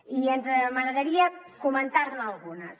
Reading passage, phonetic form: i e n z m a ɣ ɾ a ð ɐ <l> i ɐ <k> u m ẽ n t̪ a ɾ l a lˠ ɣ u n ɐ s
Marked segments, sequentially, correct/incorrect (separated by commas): incorrect, correct